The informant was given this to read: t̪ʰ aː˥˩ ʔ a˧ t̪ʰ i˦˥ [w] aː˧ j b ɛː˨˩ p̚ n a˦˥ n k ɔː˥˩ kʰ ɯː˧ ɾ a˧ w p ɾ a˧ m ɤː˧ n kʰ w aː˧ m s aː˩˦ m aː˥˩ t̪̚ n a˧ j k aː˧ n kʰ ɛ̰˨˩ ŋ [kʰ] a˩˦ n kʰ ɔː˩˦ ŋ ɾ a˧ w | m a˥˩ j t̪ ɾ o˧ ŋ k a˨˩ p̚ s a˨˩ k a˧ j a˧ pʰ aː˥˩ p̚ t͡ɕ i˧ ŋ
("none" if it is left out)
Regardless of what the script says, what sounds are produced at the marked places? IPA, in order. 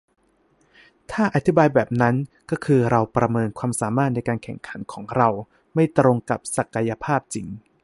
b, kʰ

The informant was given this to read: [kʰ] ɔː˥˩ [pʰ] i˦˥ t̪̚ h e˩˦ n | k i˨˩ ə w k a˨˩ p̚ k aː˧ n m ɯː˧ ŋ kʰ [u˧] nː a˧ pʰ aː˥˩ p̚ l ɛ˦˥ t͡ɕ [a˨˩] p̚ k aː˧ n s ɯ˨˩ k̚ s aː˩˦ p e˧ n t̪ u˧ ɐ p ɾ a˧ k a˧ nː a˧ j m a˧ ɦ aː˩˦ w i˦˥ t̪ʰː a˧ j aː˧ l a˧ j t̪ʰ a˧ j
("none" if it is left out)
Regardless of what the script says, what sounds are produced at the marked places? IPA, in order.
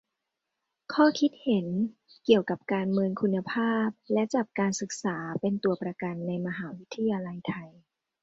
kʰ, kʰ, u˧, a˨˩

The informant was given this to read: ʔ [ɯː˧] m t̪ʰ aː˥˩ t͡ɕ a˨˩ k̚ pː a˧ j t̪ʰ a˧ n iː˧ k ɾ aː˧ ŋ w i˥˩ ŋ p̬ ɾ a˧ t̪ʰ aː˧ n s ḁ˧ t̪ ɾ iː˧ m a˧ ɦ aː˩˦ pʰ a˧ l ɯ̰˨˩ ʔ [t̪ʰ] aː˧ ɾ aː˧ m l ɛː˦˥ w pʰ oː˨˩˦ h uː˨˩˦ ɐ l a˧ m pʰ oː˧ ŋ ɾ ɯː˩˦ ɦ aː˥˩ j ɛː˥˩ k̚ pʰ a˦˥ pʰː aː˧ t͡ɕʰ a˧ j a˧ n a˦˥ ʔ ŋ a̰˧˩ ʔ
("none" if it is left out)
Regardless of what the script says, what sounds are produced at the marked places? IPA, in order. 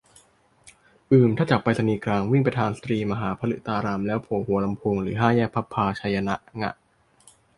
ɯː˨˩, t̪

